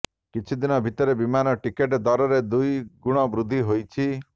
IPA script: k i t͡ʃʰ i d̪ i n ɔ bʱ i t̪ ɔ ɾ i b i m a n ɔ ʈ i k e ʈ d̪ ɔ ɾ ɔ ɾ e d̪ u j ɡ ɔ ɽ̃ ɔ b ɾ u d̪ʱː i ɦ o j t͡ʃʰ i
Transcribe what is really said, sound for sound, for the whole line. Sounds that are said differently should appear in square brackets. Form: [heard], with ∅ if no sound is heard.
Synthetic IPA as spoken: k i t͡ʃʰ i d̪ i n ɔ bʱ i t̪ ɔ ɾ [e] b i m a n ɔ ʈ i k e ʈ d̪ ɔ ɾ ɔ ɾ e d̪ u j ɡ [u] ɽ̃ ɔ b ɾ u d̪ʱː i ɦ o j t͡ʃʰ i